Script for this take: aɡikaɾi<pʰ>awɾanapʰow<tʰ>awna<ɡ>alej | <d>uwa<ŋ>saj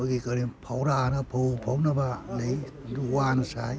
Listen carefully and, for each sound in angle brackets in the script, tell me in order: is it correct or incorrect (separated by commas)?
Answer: correct, incorrect, incorrect, correct, incorrect